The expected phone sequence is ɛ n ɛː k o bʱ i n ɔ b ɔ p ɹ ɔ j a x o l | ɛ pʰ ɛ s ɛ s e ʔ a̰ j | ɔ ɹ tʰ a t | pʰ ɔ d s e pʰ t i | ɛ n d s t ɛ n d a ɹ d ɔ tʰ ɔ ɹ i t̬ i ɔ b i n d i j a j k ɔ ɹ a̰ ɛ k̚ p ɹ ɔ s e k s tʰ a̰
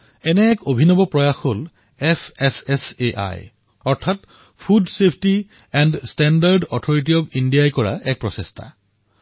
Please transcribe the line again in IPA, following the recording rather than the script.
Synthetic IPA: ɛ n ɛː k o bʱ i n ɔ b ɔ p ɹ ɔ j a x o l | ɛ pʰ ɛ s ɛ s e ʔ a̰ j | ɔ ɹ tʰ a t | pʰ u d s e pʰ t i | ɛ n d s t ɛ n d a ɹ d ɔ tʰ ɔ ɹ i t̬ i ɔ b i n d i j a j k ɔ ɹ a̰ ɛ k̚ p ɹ ɔ s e s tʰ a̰